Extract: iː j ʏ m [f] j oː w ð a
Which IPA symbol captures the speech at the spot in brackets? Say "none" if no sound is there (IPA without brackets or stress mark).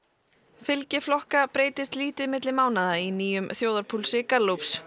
θ